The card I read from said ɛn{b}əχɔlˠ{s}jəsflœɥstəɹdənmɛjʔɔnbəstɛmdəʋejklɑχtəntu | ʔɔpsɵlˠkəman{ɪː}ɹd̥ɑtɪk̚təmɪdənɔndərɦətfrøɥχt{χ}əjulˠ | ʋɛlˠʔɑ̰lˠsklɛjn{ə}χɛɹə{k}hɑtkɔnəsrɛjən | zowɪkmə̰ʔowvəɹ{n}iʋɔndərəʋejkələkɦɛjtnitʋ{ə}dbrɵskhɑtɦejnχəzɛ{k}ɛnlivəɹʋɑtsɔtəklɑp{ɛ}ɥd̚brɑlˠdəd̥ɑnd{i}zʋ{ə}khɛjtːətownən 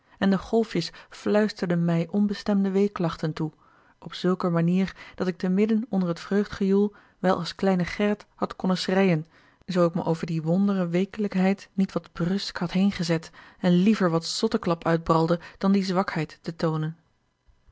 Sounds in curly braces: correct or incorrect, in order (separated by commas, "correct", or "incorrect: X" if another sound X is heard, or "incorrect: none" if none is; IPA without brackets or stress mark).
incorrect: d, incorrect: f, incorrect: iː, correct, correct, incorrect: t, incorrect: d, incorrect: ɑ, incorrect: t, incorrect: œ, correct, incorrect: ɑ